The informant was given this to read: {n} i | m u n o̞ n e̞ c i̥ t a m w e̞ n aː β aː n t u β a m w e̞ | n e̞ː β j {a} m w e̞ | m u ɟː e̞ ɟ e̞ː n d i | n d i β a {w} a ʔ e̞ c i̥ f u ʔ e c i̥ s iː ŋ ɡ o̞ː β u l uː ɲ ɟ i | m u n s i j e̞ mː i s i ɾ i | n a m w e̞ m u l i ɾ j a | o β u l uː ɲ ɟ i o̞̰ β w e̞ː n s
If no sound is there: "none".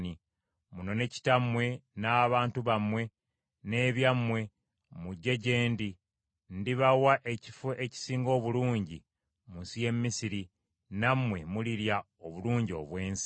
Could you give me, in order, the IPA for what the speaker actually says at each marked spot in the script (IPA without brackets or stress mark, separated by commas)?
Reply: n, a, w